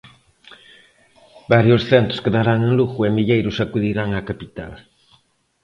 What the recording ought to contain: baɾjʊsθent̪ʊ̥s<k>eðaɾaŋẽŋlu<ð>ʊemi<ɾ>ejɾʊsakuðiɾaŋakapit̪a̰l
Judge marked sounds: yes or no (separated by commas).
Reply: yes, no, no